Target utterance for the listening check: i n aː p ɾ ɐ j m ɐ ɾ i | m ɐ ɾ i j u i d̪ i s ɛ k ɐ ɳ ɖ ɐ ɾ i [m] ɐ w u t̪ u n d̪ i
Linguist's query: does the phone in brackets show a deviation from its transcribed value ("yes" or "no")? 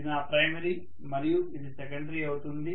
yes